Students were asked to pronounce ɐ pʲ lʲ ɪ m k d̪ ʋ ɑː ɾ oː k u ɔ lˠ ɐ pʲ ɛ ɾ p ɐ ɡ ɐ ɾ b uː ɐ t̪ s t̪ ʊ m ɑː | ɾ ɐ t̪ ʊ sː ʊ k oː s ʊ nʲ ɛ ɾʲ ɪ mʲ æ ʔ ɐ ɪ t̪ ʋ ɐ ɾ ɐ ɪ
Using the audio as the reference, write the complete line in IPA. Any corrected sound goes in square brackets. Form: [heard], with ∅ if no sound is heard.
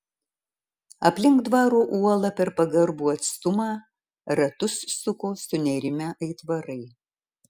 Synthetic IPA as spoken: ɐ pʲ lʲ ɪ [ŋ] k d̪ ʋ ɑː ɾ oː [ʔ] u ɔ lˠ ɐ pʲ ɛ ɾ p ɐ ɡ ɐ ɾ b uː ɐ t̪ s t̪ ʊ m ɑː | ɾ ɐ t̪ ʊ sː ʊ k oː s ʊ nʲ ɛ ɾʲ ɪ mʲ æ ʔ ɐ ɪ t̪ ʋ ɐ ɾ ɐ ɪ